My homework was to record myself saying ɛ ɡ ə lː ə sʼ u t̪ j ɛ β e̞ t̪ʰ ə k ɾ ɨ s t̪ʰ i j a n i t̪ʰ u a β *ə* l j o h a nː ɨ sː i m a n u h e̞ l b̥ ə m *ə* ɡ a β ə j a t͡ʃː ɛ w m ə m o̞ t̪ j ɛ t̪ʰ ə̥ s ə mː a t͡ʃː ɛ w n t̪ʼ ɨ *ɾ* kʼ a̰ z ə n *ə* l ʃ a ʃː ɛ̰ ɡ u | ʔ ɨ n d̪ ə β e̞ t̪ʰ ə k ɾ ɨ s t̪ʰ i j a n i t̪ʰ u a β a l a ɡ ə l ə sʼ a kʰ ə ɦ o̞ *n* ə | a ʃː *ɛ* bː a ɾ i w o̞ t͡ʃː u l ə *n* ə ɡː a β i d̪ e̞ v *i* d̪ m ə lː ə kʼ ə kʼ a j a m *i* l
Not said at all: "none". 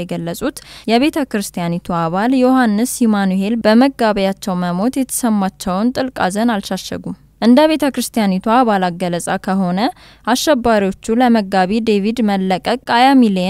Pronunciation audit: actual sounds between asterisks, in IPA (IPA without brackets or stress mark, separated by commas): a, ə, l, a, n, ɛ, m, i, i